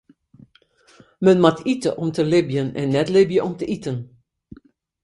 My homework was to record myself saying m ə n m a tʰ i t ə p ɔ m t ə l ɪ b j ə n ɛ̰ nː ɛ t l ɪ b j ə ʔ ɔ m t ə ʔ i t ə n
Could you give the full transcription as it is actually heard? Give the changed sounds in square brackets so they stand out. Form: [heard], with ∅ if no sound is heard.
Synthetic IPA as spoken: m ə n m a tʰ i t ə [ʔ] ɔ m t ə l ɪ b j ə n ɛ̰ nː ɛ t l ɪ b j ə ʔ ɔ m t ə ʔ i t ə n